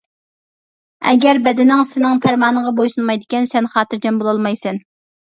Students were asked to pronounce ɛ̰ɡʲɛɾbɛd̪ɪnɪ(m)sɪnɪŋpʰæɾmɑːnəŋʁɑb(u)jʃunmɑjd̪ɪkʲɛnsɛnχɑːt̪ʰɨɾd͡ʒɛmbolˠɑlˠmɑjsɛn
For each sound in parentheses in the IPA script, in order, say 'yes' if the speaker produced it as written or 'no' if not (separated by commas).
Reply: no, no